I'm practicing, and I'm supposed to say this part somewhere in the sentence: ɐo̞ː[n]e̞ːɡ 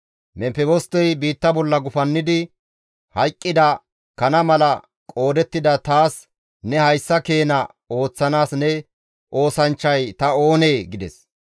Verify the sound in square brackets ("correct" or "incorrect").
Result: correct